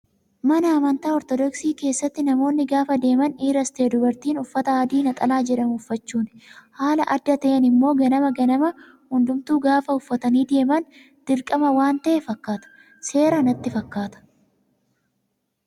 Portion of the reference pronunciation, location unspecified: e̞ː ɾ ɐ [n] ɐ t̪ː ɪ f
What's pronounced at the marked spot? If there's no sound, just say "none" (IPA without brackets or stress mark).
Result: n